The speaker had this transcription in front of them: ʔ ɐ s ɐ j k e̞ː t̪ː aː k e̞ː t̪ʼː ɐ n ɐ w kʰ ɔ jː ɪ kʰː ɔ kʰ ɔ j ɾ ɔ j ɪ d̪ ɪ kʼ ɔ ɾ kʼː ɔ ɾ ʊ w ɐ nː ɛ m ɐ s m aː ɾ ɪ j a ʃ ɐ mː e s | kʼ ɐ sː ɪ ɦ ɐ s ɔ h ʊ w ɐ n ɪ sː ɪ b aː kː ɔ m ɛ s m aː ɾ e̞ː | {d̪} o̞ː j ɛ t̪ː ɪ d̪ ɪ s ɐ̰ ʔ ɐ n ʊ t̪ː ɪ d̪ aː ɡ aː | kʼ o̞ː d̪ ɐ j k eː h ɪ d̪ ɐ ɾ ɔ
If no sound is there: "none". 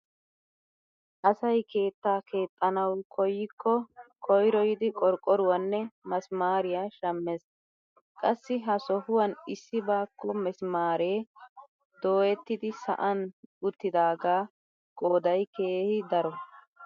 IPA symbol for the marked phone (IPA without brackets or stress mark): d̪